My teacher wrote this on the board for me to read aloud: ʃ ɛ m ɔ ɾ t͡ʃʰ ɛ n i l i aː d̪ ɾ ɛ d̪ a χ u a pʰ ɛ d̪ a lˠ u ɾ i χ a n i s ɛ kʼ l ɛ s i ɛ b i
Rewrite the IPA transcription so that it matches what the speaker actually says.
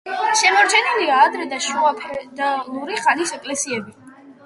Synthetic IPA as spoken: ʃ ɛ m ɔ ɾ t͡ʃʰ ɛ n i l i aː d̪ ɾ ɛ d̪ a ʃ u a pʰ ɛ d̪ a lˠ u ɾ i χ a n i s ɛ kʼ l ɛ s i ɛ b i